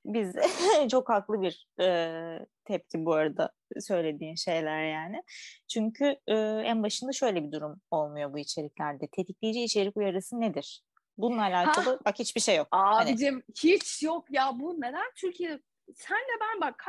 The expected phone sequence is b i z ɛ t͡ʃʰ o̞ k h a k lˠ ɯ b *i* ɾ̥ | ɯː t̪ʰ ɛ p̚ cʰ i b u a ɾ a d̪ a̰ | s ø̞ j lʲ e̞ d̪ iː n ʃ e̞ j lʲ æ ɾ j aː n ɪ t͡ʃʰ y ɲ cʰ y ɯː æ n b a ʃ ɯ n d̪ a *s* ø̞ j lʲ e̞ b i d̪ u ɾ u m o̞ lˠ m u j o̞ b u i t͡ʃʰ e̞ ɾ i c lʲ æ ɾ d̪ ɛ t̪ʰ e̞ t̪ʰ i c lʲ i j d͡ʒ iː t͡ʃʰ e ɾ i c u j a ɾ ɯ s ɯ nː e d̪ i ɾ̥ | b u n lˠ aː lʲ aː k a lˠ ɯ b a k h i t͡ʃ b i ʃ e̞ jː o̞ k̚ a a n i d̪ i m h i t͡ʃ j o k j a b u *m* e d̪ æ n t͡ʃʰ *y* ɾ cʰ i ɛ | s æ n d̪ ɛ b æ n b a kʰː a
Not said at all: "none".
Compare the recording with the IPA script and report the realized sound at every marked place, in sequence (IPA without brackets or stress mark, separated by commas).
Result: i, ʃ, n, y